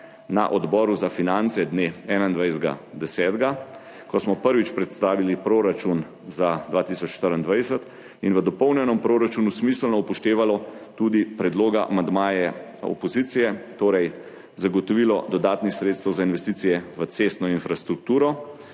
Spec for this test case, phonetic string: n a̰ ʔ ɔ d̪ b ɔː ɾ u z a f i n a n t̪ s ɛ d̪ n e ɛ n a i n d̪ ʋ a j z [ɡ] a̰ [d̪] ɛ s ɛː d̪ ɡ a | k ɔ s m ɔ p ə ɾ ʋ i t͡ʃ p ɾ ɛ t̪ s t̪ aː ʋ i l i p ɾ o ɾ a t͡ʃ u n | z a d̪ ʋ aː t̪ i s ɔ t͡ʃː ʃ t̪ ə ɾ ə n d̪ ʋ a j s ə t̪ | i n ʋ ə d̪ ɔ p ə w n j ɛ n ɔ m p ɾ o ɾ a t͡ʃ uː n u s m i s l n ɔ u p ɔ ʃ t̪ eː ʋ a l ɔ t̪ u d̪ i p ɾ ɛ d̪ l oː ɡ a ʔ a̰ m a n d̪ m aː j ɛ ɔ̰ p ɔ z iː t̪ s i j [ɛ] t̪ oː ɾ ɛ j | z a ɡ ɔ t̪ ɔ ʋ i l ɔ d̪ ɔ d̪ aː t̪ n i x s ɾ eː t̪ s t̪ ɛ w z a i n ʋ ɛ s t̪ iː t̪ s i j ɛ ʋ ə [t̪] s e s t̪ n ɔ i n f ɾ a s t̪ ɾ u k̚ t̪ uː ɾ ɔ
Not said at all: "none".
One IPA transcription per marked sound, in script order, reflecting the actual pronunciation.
ɡ, d̪, ɛ, t̪

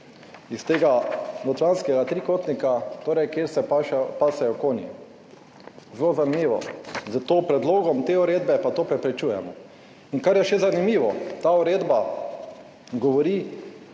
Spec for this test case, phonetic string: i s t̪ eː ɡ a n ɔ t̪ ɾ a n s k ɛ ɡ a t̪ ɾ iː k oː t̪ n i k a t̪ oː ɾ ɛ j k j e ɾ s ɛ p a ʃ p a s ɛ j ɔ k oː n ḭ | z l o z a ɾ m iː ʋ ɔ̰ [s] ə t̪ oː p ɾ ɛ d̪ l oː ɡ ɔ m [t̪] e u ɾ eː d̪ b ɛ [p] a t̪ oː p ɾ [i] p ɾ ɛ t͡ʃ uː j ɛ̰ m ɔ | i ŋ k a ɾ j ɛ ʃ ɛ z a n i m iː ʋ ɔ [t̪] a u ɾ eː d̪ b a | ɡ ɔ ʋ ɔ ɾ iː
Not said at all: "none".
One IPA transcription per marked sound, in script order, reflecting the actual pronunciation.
z, t̪, p, ɛ, t̪

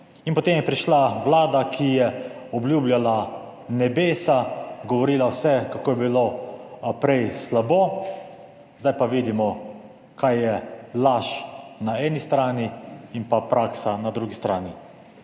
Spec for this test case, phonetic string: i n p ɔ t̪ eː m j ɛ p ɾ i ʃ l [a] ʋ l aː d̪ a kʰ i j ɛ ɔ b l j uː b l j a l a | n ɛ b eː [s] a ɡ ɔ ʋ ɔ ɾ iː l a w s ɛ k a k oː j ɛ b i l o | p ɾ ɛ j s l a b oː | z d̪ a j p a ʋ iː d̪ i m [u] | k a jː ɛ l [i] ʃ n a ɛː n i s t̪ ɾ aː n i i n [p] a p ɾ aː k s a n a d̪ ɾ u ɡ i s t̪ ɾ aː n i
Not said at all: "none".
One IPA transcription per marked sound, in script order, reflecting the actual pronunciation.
a, s, ɔ, a, p

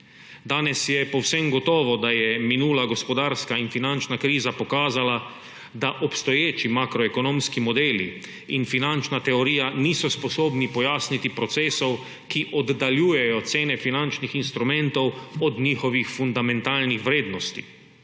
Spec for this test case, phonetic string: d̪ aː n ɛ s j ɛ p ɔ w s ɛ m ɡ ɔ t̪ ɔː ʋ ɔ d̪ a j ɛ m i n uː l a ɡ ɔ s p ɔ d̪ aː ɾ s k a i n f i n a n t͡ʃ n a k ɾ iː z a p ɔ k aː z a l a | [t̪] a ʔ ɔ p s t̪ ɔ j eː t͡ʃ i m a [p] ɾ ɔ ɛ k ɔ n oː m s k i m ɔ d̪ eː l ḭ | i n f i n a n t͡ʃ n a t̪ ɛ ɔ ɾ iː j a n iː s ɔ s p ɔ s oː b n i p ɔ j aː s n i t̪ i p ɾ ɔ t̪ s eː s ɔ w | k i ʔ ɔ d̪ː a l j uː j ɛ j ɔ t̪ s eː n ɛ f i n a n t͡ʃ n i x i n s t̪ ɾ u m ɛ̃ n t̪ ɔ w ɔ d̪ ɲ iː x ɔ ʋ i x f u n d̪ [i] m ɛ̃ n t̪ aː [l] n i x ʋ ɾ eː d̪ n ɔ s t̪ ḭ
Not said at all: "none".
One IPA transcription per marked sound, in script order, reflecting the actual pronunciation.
d̪, k, a, l

